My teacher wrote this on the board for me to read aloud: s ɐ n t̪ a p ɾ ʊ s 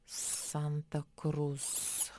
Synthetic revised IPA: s a n t̪ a k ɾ u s

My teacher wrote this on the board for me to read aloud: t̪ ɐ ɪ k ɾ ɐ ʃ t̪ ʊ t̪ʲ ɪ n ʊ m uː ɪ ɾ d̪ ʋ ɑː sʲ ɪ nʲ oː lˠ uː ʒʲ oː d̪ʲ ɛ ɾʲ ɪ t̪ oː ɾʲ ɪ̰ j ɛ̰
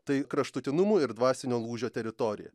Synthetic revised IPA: t̪ ɐ ɪ k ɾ ɐ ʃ t̪ ʊ t̪ʲ ɪ n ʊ m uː ɪ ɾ d̪ ʋ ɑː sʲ ɪ nʲ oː lˠ uː ʒʲ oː t̪ʲ ɛ ɾʲ ɪ t̪ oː ɾʲ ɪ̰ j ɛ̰

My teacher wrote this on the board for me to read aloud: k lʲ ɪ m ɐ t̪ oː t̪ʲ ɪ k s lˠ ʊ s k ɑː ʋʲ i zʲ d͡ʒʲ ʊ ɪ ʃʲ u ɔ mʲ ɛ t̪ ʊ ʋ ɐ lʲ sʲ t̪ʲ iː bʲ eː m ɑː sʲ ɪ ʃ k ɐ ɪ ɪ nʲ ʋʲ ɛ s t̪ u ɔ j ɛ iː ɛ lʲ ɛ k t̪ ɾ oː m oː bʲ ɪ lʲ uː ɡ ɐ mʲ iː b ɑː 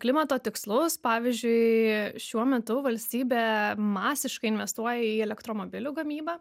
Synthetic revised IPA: k lʲ ɪ m ɐ t̪ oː t̪ʲ ɪ k s lˠ ʊ s p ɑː ʋʲ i zʲ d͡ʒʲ ʊ ɪ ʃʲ u ɔ mʲ ɛ t̪ ʊ ʋ ɐ lʲ sʲ t̪ʲ iː bʲ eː m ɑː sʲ ɪ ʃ k ɐ ɪ ɪ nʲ ʋʲ ɛ s t̪ u ɔ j ɛ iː ɛ lʲ ɛ k t̪ ɾ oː m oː bʲ ɪ lʲ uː ɡ ɐ mʲ iː b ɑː

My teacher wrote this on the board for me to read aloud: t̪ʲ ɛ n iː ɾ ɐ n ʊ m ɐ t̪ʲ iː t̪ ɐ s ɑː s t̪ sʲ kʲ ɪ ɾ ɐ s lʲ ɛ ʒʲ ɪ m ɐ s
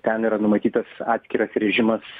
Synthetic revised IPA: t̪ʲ ɛ n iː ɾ ɐ n ʊ m ɐ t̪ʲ iː t̪ ɐ s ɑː t̪ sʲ kʲ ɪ ɾ ɐ s ɾʲ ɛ ʒʲ ɪ m ɐ s

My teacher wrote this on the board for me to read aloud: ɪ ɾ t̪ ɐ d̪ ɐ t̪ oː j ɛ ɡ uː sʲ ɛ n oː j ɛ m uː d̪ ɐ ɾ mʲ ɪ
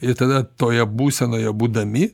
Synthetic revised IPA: ɪ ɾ t̪ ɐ d̪ ɐ t̪ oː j ɛ b uː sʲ ɛ n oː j ɛ b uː d̪ ɐ mʲ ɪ

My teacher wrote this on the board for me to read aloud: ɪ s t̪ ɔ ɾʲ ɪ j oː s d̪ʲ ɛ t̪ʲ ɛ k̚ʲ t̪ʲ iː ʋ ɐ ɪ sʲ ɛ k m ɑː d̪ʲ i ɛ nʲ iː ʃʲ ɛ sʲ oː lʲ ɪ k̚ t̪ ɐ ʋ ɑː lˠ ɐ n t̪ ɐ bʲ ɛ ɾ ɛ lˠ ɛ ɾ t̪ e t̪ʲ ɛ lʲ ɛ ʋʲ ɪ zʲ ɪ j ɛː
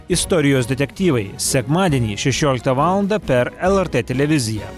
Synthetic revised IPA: ɪ s t̪ ɔ ɾʲ ɪ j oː s d̪ʲ ɛ t̪ʲ ɛ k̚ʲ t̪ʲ iː ʋ ɐ ɪ sʲ ɛ k m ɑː d̪ʲ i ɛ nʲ iː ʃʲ ɛ ʃʲ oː lʲ ɪ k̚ t̪ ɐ ʋ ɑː lˠ ɐ n d̪ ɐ pʲ ɛ ɾ ɛ lˠ ɛ ɾ t̪ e t̪ʲ ɛ lʲ ɛ ʋʲ ɪ zʲ ɪ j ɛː

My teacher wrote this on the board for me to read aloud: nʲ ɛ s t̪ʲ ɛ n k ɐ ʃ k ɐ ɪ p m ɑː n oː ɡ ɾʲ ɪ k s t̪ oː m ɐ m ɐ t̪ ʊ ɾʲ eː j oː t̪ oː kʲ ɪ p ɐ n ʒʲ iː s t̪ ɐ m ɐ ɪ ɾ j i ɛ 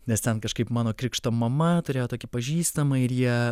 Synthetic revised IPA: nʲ ɛ s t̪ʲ ɛ n k ɐ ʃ k ɐ ɪ p m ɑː n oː k ɾʲ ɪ k ʃ t̪ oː m ɐ m ɐ t̪ ʊ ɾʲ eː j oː t̪ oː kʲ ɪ p ɐ ʒʲ iː s t̪ ɐ m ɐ ɪ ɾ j i ɛ

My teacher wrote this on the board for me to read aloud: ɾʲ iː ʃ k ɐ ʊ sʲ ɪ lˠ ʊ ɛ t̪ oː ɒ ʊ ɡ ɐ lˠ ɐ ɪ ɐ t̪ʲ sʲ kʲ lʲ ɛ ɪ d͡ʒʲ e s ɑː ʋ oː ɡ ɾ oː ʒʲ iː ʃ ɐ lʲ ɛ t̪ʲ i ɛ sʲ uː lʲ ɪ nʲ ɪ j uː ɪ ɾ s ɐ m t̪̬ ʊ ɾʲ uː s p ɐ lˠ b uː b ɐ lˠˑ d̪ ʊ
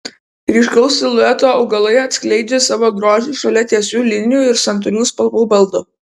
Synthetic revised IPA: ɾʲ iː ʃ k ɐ ʊ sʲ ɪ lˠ ʊ ɛ t̪ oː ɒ ʊ ɡ ɐ lˠ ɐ ɪ ɐ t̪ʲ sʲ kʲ lʲ ɛ ɪ d͡ʒʲ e s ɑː ʋ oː ɡ ɾ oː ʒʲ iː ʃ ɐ lʲ ɛ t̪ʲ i ɛ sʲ uː lʲ ɪ nʲ ɪ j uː ɪ ɾ s ɐ n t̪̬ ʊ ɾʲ uː s p ɐ lˠ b uː b ɐ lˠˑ d̪ ʊ

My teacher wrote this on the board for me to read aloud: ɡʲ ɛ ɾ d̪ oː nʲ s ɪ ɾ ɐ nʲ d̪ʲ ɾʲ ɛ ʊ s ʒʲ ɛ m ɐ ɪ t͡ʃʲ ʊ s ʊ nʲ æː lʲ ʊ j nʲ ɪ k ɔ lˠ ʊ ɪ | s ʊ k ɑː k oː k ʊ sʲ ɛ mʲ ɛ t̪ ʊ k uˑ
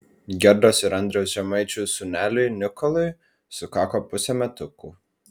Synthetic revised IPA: ɡʲ ɛ ɾ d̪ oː s ɪ ɾ ɐ nʲ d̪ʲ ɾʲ ɛ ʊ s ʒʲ ɛ m ɐ ɪ t͡ʃʲ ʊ s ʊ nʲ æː lʲ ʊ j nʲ ɪ k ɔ lˠ ʊ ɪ | s ʊ k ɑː k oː p ʊ sʲ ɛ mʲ ɛ t̪ ʊ k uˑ

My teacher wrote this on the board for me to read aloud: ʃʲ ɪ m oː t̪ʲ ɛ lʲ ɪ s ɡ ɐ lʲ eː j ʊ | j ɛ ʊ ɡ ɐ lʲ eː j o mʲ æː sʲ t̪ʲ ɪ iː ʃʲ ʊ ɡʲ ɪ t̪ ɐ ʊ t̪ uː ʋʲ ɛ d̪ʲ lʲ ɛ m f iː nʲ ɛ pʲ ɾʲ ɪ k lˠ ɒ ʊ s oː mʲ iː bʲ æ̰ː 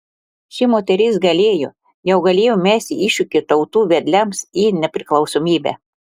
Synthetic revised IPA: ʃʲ ɪ m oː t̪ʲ ɛ ɾʲ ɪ s ɡ ɐ lʲ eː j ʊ | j ɛ ʊ ɡ ɐ lʲ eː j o mʲ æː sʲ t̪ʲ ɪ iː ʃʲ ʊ kʲ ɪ t̪ ɐ ʊ t̪ uː ʋʲ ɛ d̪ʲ lʲ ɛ m s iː nʲ ɛ pʲ ɾʲ ɪ k lˠ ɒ ʊ s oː mʲ iː bʲ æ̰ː

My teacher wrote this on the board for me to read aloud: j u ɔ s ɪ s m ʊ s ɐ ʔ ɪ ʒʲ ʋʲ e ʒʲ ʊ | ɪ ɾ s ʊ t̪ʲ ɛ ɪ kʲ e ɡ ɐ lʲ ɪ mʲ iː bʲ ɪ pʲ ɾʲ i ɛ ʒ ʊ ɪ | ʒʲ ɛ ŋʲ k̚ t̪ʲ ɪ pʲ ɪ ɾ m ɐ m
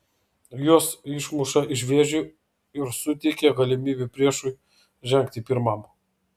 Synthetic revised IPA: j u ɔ s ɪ ʃ m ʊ ʃ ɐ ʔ ɪ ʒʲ ʋʲ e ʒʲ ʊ | ɪ ɾ s ʊ t̪ʲ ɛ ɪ kʲ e ɡ ɐ lʲ ɪ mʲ iː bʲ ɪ pʲ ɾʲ i ɛ ʃ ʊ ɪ | ʒʲ ɛ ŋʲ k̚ t̪ʲ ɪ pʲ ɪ ɾ m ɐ m

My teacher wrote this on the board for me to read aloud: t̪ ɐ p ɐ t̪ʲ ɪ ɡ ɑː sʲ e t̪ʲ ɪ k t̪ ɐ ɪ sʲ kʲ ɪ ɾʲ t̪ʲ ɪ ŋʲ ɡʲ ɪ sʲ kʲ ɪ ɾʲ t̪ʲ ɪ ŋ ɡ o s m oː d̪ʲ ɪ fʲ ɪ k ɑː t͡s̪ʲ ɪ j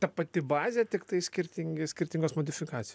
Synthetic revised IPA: t̪ ɐ p ɐ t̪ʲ ɪ b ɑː zʲ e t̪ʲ ɪ k t̪ ɐ ɪ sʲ kʲ ɪ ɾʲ t̪ʲ ɪ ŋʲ ɡʲ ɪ sʲ kʲ ɪ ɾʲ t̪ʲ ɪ ŋ ɡ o s m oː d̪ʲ ɪ fʲ ɪ k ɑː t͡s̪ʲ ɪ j

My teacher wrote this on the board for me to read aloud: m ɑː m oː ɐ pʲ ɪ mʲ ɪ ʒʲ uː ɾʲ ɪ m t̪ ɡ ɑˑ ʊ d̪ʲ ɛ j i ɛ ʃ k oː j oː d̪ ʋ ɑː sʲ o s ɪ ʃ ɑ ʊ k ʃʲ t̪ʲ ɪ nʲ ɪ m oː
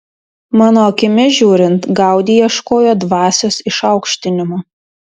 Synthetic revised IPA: m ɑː n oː ɐ kʲ ɪ mʲ ɪ ʒʲ uː ɾʲ ɪ n t̪ ɡ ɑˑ ʊ d̪ʲ i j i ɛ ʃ k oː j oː d̪ ʋ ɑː sʲ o s ɪ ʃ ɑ ʊ k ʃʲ t̪ʲ ɪ nʲ ɪ m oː

